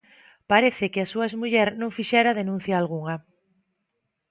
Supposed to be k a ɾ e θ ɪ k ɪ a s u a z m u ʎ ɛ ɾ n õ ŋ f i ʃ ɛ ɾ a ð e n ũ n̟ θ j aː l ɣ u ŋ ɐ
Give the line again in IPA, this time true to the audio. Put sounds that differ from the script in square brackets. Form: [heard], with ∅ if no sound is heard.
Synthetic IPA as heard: [p] a ɾ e θ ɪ k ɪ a s u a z m u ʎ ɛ ɾ n õ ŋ f i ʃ ɛ ɾ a ð e n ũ n̟ θ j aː l ɣ u ŋ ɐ